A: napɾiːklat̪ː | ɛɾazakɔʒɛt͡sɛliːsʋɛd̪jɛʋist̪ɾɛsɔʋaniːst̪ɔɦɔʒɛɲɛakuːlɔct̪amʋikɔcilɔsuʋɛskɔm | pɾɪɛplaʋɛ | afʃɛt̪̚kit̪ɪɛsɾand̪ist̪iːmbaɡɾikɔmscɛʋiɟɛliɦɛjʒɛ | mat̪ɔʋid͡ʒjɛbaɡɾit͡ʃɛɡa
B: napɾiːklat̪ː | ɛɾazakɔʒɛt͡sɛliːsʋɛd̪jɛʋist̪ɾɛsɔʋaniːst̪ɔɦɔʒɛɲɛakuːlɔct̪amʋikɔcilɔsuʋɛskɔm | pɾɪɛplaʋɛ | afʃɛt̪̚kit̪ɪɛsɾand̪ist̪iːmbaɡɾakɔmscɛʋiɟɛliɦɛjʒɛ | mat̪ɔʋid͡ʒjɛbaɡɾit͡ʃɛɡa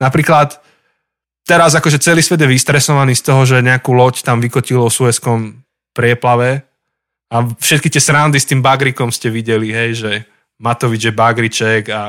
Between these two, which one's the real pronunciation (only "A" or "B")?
A